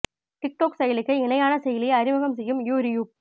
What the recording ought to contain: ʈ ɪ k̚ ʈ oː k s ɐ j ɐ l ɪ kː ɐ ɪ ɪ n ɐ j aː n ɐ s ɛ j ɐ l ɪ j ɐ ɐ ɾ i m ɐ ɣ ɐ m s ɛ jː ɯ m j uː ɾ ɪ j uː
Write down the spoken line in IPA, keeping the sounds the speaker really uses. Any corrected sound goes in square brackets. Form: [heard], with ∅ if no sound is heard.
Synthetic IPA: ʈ ɪ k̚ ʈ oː k s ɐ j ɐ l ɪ kː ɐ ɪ ɪ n ɐ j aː n ɐ s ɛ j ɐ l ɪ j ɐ ɐ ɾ [ɪ] m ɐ ɣ ɐ m s ɛ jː ɯ m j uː ɾ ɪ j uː

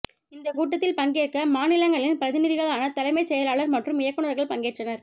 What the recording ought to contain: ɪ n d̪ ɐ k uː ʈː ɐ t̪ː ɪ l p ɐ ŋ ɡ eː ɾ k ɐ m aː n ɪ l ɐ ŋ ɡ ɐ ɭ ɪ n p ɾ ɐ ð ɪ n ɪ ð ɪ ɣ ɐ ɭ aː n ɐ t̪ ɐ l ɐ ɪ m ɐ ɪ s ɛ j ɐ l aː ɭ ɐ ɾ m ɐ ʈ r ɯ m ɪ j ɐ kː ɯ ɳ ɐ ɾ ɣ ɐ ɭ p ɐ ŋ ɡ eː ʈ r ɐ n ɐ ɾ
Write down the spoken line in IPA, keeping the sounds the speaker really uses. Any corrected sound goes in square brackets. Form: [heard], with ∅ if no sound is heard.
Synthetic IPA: ɪ n d̪ ɐ k uː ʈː ɐ t̪ː ɪ l p ɐ ŋ ɡ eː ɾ k ɐ m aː n ɪ l ɐ ŋ ɡ ɐ ɭ ɪ n p ɾ ɐ ð ɪ n ɪ ð ɪ ɣ ɐ ɭ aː n ɐ t̪ ɐ l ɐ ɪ m ɐ ɪ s ɛ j ɐ l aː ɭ ɐ ɾ m ɐ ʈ r ɯ m ɪ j ɐ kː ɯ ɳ ɐ ɾ ɣ ɐ ɭ p ɐ ŋ ɡ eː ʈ r ɐ n ɐ ɾ

